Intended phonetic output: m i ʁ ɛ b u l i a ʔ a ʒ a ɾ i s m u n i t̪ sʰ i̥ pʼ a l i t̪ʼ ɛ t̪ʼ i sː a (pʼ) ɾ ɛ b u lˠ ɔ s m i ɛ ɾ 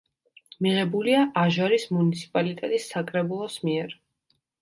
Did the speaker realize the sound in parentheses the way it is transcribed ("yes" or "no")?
no